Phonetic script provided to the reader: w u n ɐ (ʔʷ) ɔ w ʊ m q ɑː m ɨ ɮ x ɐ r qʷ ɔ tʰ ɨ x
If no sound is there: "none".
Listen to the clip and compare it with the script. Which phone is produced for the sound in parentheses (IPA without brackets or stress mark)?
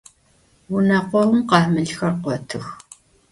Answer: qʷ